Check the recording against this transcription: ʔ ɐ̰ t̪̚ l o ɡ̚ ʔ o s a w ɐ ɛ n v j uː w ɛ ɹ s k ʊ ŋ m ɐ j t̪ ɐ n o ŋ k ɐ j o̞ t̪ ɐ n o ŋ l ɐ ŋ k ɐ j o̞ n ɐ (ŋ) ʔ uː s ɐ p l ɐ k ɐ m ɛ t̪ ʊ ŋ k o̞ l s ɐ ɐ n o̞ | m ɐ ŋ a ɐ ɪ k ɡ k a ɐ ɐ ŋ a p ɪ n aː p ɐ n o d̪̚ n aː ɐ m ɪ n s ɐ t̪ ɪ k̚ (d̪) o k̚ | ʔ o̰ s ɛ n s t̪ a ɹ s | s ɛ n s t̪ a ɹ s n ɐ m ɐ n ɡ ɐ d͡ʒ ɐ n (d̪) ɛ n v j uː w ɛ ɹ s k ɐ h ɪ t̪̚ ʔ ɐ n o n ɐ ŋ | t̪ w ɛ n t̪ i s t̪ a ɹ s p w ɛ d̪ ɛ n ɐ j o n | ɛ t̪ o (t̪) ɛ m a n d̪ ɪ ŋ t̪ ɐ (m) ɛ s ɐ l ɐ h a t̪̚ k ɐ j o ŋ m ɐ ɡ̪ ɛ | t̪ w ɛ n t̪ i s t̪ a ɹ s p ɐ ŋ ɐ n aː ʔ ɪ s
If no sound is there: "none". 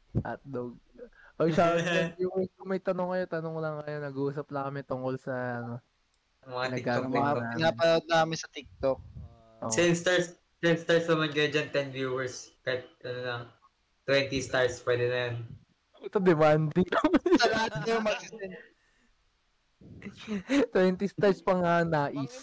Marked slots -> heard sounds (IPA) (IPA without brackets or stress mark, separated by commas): ɡ, t̪, t̪, d̪, m